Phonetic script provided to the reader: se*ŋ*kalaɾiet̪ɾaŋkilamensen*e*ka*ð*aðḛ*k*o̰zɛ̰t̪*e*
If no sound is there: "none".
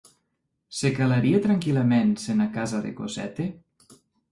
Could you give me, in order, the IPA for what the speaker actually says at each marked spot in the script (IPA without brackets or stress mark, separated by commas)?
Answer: none, a, z, k, e